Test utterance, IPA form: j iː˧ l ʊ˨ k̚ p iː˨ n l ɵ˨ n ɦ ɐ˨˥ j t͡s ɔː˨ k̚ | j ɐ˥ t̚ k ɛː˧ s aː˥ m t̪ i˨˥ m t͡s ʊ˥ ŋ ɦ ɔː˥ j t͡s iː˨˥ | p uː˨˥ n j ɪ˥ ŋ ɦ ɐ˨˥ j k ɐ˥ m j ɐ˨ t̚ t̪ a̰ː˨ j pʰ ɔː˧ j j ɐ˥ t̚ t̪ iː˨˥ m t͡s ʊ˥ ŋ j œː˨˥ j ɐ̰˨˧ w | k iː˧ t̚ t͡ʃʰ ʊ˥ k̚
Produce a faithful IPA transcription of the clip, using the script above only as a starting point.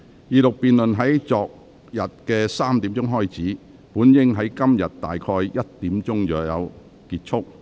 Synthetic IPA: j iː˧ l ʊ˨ k̚ p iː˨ n l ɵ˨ n ɦ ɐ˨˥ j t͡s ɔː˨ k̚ | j ɐ˨˩ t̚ k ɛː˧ s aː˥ m t̪ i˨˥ m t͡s ʊ˥ ŋ ɦ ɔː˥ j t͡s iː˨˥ | p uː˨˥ n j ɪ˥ ŋ ɦ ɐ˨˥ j k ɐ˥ m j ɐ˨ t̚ t̪ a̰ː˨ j kʰ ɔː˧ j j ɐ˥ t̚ t̪ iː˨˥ m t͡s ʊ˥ ŋ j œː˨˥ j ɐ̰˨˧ w | k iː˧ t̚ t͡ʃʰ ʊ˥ k̚